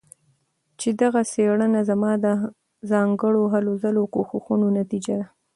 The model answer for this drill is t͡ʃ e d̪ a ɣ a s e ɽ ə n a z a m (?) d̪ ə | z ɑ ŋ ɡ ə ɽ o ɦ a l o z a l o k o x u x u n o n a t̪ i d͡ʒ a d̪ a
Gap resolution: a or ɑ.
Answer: ɑ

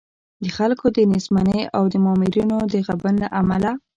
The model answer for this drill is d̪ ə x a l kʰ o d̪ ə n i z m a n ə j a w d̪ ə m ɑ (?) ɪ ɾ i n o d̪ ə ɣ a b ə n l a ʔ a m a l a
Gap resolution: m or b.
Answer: m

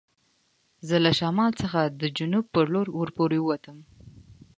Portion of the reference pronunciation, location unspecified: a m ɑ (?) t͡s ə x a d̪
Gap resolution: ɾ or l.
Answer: l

